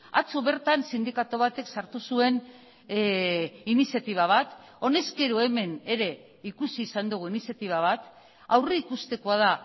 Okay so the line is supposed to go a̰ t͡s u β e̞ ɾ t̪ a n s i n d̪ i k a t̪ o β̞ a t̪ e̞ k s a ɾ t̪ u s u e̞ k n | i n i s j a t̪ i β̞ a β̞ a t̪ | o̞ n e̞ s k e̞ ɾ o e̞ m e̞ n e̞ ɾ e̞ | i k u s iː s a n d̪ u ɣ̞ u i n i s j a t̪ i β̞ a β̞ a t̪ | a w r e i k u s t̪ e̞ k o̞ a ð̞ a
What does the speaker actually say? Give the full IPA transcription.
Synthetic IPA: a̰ t͡s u β e̞ ɾ t̪ a n s i n d̪ i k a t̪ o β̞ a t̪ e̞ k s a ɾ t̪ u s u e̞ n | i n i s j a t̪ i β̞ a β̞ a t̪ | o̞ n e̞ s k e̞ ɾ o e̞ m e̞ n e̞ ɾ e̞ | i k u s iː s a n d̪ u ɣ̞ u i n i s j a t̪ i β̞ a β̞ a t̪ | a w r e i k u s t̪ e̞ k o̞ a ð̞ a